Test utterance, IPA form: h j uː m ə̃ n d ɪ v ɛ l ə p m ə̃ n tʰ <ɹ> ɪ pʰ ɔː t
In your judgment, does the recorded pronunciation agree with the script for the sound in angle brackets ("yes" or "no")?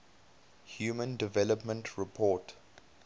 yes